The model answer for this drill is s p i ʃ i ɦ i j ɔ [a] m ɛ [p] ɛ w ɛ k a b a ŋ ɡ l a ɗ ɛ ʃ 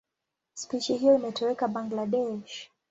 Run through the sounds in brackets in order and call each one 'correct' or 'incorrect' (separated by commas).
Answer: incorrect, incorrect